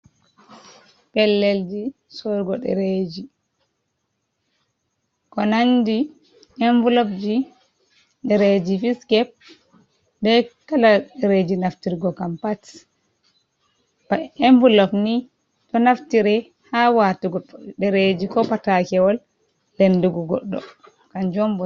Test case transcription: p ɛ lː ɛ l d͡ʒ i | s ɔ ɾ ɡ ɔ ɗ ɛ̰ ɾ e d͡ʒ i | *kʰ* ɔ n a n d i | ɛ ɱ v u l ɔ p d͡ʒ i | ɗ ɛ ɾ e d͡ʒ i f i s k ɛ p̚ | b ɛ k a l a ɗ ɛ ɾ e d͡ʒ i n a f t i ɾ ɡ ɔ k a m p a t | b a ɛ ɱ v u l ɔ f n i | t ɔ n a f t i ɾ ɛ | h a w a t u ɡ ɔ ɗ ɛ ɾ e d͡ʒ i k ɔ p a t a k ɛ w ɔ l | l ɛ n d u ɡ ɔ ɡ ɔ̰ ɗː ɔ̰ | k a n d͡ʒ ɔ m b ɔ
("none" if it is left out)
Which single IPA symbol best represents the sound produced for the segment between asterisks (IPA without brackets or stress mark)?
k